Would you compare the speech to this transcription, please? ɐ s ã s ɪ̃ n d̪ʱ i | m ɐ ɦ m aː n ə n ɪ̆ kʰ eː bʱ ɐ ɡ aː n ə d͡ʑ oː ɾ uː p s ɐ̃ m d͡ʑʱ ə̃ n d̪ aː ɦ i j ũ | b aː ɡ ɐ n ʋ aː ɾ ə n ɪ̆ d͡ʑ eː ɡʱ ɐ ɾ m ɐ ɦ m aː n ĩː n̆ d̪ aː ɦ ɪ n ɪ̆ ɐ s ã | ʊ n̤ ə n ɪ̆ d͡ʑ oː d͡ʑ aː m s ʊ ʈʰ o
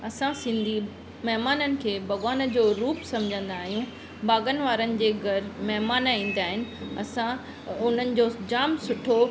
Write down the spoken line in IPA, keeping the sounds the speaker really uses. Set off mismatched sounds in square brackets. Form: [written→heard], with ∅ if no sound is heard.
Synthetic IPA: ɐ s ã s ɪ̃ n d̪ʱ i | m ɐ ɦ m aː n ə n ɪ̆ kʰ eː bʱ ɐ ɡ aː n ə d͡ʑ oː ɾ uː p s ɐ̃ m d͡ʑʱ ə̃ n d̪ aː ɦ i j ũ | b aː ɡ [ɐ→ə] n ʋ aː ɾ ə n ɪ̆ d͡ʑ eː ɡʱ ɐ ɾ m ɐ ɦ m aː n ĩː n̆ d̪ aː ɦ ɪ n ɪ̆ ɐ s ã | ʊ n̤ ə n ɪ̆ d͡ʑ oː d͡ʑ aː m s ʊ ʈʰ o